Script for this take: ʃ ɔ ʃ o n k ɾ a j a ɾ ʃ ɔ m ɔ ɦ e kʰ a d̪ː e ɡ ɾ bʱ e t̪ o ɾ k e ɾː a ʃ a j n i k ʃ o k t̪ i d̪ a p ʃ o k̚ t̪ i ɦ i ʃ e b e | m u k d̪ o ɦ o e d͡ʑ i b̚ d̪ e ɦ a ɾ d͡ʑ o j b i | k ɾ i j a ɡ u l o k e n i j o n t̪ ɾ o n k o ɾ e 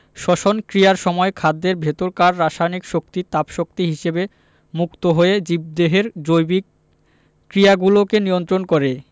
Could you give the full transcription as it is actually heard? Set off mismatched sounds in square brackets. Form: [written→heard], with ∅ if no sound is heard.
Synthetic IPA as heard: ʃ ɔ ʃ o n k ɾ [a→i] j a ɾ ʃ ɔ m ɔ [ɦ→∅] e kʰ a d̪ː e [ɡ→∅] ɾ bʱ e t̪ o ɾ k [e→a] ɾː a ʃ a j n i k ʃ o k t̪ i [d̪→t̪] a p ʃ o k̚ t̪ i ɦ i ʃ e b e | m u k [d̪→t̪] o ɦ o e d͡ʑ i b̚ d̪ e ɦ [a→e] ɾ d͡ʑ o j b i | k ɾ i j a ɡ u l o k e n i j o n t̪ ɾ o n k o ɾ e